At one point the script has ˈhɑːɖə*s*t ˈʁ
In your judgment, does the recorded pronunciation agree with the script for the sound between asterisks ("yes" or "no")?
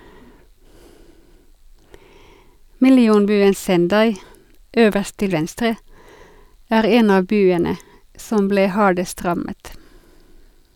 yes